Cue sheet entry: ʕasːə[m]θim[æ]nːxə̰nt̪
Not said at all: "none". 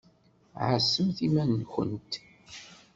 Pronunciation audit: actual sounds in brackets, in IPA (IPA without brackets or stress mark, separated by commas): m, æ